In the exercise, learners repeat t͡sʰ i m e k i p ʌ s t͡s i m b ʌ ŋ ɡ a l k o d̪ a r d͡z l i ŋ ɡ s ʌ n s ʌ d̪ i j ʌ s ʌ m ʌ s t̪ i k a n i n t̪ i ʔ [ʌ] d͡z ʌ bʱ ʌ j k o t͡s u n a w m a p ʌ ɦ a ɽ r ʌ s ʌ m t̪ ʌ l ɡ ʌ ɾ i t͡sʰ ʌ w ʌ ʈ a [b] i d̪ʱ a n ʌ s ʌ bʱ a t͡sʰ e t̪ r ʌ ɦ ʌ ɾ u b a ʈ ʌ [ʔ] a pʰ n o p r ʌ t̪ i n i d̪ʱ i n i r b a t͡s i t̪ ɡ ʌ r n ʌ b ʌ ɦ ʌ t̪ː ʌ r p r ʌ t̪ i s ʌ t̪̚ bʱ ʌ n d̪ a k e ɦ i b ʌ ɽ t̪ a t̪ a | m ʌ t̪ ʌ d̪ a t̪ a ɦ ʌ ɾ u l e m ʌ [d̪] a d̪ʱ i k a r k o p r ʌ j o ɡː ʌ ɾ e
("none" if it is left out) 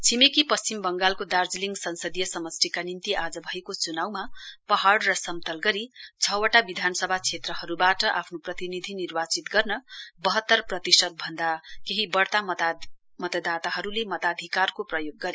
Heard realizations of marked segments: a, b, ʔ, t̪

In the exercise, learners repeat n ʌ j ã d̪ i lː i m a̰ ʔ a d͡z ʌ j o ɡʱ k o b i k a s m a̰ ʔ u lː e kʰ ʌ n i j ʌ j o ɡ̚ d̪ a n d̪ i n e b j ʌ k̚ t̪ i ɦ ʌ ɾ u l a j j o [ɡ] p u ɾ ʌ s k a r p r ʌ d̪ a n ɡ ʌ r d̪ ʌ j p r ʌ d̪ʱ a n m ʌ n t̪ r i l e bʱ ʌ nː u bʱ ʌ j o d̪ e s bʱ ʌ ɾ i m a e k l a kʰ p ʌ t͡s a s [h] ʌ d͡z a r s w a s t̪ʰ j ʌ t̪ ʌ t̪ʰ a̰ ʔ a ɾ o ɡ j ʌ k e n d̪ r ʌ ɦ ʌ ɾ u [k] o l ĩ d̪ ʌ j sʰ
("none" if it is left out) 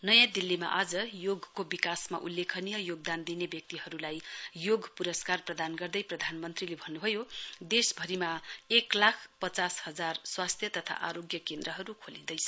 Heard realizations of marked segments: ɡ, h, kʰ

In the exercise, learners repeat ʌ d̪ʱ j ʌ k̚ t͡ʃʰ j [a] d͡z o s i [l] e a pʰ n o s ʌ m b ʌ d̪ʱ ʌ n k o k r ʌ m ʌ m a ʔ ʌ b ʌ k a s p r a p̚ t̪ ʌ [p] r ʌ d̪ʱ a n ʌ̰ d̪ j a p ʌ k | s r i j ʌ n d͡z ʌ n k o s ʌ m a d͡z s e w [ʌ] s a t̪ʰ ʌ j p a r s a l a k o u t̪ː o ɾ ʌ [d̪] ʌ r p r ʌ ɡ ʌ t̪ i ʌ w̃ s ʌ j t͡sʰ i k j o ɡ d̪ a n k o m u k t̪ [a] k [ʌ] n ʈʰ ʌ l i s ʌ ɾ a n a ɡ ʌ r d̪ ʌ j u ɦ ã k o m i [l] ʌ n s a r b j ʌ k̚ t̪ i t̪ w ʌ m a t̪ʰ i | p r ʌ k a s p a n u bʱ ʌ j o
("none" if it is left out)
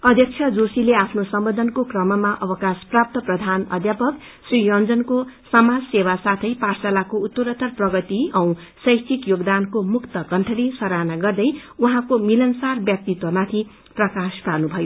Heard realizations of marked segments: ʌ, l, p, a, t̪, ʌ, ʌ, l

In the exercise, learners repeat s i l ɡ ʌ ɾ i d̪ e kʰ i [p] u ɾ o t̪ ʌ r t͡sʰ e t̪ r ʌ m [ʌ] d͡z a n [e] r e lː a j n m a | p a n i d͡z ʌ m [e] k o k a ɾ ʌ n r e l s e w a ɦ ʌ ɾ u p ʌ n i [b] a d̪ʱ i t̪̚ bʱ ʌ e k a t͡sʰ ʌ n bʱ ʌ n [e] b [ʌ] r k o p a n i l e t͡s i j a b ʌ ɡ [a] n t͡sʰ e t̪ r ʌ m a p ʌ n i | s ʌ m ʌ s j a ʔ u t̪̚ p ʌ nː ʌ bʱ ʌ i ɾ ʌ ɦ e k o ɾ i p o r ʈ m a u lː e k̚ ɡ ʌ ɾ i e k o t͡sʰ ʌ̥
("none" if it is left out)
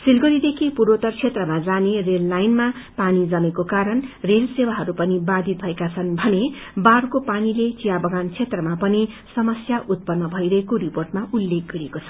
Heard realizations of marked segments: p, a, e, e, b, e, a, a

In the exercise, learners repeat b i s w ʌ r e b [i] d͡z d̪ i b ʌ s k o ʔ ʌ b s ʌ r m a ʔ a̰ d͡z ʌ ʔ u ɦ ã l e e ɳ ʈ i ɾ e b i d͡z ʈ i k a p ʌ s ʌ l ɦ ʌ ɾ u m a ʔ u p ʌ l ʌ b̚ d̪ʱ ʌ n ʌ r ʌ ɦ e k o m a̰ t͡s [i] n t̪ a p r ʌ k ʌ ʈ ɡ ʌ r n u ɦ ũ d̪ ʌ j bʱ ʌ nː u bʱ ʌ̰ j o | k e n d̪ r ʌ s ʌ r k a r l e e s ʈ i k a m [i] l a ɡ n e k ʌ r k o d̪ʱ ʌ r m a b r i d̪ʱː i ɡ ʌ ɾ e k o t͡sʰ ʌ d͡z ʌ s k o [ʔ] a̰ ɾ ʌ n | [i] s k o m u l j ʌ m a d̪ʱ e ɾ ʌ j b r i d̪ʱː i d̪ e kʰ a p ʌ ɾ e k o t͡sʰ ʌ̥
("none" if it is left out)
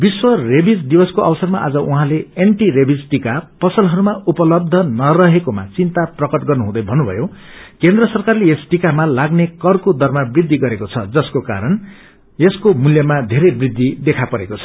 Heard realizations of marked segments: i, i, a, k, e

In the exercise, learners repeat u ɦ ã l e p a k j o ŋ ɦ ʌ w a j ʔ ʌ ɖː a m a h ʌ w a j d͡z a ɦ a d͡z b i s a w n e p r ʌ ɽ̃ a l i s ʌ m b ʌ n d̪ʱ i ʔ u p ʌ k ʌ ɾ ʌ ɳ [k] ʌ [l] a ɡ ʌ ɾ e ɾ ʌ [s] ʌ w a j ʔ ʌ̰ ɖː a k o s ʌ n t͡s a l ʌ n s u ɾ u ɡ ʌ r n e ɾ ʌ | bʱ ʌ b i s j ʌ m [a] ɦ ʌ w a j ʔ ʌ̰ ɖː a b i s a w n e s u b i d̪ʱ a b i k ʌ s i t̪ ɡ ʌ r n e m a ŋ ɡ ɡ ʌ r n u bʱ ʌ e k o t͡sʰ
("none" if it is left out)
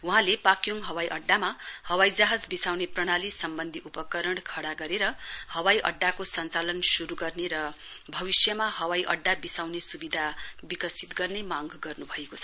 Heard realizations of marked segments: kʰ, ɽ, h, a

